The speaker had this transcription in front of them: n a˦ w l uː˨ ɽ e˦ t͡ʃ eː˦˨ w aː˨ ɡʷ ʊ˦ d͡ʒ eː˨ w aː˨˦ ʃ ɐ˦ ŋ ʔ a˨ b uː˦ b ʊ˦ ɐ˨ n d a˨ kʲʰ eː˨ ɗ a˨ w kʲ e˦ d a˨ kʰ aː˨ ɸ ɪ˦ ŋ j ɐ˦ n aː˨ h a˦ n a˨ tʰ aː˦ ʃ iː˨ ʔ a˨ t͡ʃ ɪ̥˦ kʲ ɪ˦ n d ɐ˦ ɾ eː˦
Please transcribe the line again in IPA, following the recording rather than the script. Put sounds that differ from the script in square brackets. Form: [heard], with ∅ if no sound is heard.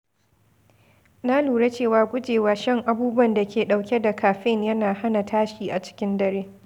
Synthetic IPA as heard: n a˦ [∅] l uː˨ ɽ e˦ t͡ʃ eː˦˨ w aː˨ ɡʷ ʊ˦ d͡ʒ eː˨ w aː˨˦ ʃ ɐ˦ ŋ ʔ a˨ b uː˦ b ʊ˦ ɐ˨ n d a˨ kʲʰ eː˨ ɗ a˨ w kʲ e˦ d a˨ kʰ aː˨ ɸ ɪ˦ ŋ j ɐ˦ n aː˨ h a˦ n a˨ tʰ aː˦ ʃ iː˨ ʔ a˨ t͡ʃ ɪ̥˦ kʲ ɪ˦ n d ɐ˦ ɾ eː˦

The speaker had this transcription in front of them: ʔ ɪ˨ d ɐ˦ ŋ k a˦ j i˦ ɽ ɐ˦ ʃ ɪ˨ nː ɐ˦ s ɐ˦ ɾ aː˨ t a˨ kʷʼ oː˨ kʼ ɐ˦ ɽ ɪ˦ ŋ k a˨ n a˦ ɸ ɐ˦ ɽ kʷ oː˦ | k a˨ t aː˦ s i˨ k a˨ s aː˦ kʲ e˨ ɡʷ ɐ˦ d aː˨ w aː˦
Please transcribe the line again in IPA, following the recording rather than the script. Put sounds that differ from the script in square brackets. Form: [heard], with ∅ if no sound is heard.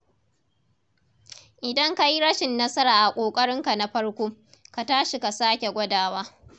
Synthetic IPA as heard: ʔ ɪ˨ d ɐ˦ ŋ k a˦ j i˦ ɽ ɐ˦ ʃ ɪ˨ nː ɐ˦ s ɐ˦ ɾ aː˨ [ʔ] a˨ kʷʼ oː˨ kʼ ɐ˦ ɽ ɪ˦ ŋ k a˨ n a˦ ɸ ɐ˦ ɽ kʷ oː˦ | k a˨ t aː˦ [ʃ] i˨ k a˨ s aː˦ kʲ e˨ ɡʷ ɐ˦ d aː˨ w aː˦

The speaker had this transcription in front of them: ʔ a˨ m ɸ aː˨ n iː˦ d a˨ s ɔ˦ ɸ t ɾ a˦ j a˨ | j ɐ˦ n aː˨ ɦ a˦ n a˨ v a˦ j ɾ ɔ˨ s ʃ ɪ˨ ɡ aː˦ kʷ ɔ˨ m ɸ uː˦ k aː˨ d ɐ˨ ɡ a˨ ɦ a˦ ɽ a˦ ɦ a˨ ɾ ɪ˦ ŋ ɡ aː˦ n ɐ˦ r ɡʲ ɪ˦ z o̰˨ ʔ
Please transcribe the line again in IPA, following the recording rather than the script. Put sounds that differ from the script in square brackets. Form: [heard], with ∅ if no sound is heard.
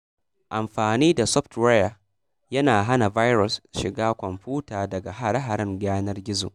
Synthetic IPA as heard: ʔ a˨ m ɸ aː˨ n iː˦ d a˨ s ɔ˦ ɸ t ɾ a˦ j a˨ | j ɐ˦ n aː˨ ɦ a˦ n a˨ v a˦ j ɾ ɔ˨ s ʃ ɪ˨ ɡ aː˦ kʷ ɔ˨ m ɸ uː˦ [t] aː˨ d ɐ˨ ɡ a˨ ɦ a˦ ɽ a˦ ɦ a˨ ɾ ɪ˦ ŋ ɡ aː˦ n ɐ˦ r ɡʲ ɪ˦ z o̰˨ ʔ

